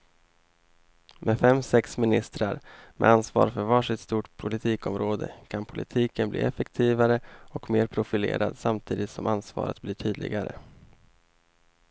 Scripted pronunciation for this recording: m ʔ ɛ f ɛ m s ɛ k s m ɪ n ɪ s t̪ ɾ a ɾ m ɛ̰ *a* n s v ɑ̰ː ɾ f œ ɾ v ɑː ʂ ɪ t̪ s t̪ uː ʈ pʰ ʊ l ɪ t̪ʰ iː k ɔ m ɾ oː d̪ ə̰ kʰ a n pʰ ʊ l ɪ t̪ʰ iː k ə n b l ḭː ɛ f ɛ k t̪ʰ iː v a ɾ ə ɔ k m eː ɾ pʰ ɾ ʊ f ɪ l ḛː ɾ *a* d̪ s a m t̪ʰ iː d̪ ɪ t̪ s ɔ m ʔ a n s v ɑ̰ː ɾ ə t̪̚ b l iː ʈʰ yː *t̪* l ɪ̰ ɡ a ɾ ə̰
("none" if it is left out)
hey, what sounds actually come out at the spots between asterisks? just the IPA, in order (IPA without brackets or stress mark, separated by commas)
a, a, d̪